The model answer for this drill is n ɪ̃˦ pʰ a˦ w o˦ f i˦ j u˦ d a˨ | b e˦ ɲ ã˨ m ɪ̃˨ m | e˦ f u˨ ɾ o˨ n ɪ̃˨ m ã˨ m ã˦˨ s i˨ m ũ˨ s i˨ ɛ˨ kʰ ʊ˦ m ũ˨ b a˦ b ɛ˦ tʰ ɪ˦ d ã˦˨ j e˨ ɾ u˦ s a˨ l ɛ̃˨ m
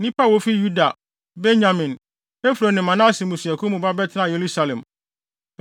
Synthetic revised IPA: n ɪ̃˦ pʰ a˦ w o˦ f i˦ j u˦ d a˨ | b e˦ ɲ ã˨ m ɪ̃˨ n | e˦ f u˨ ɾ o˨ n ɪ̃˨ m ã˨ n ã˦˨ s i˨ m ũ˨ s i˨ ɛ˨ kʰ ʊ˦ m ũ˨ b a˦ b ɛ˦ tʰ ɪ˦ n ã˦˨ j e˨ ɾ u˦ s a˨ l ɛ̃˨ m